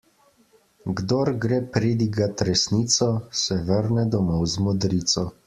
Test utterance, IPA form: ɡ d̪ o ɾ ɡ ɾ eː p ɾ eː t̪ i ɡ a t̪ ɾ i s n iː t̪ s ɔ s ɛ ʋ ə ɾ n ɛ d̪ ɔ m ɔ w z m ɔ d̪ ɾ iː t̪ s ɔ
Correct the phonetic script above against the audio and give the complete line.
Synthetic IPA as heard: ɡ d̪ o ɾ ɡ ɾ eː p ɾ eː d̪ i ɡ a t̪ ɾ ɛ s n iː t̪ s ɔ s ɛ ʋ ə ɾ n ɛ d̪ ɔ m ɔ w z m ɔ d̪ ɾ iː t̪ s ɔ